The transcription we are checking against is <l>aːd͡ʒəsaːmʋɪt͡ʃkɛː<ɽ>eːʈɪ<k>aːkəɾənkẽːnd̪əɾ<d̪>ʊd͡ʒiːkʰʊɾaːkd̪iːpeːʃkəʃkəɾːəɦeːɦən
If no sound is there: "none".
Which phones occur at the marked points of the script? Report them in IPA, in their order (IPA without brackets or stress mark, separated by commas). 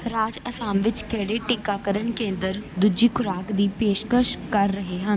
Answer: ɾ, ɽ, k, d̪